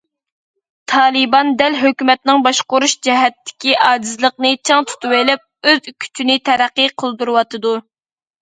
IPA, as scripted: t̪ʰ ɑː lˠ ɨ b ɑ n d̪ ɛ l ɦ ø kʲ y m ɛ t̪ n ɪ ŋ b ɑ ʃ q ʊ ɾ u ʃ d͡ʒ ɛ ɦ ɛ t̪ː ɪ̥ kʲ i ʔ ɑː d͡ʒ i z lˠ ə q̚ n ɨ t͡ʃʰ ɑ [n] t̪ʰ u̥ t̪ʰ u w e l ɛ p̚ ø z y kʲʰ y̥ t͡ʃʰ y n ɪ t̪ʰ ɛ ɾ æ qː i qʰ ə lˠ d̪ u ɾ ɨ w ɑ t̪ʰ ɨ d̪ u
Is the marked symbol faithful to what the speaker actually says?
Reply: no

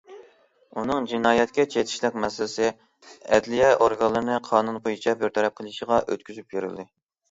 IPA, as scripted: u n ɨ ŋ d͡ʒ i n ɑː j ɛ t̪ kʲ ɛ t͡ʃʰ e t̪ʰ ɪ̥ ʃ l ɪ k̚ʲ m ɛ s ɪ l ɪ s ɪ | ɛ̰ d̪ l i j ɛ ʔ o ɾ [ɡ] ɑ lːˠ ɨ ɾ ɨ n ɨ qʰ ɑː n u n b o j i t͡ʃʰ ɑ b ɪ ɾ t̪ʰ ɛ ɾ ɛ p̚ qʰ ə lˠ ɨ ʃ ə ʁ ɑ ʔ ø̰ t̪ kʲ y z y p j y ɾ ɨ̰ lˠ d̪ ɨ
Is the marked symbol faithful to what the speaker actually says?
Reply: yes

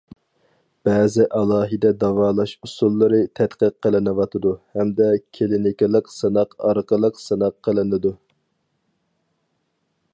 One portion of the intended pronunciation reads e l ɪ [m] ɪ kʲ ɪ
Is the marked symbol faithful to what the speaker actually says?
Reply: no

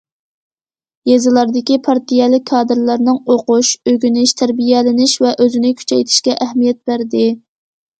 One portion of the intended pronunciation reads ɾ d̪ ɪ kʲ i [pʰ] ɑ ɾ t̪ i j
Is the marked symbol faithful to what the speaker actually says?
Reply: yes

